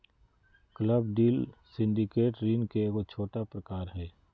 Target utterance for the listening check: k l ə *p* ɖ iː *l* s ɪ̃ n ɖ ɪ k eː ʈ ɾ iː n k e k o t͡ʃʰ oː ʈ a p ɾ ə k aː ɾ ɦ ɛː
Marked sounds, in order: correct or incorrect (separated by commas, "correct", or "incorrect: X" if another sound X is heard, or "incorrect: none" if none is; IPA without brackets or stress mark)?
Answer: incorrect: b, correct